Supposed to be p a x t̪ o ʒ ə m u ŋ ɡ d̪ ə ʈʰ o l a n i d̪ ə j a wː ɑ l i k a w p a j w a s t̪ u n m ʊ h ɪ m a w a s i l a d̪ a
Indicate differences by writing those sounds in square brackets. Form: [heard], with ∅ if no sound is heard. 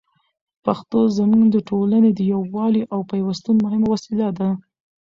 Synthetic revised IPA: p a x t̪ o [z] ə m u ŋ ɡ d̪ ə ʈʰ o l a n [e] d̪ ə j a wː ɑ l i [ʔ] a w p a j w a s t̪ u n m ʊ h ɪ m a w a s i l a d̪ a